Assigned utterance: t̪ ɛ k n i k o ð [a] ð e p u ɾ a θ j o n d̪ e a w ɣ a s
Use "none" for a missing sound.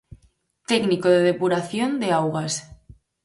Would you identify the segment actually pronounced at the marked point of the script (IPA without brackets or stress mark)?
e